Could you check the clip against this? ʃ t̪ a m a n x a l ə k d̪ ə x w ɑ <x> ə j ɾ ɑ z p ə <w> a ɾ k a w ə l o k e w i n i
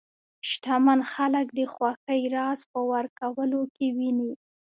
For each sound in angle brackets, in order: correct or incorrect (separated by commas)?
correct, correct